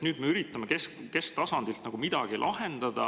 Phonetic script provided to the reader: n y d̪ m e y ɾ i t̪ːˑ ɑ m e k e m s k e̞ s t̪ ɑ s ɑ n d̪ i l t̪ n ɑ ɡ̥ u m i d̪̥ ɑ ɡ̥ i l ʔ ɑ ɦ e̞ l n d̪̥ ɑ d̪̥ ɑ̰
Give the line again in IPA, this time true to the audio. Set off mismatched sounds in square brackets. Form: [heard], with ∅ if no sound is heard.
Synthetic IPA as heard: n [yː] d̪ m e y ɾ i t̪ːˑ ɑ m e k e [∅] s k e̞ s t̪ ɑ s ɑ n d̪ i l t̪ n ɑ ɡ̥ u m i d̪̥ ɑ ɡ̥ i l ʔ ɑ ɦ e̞ [∅] n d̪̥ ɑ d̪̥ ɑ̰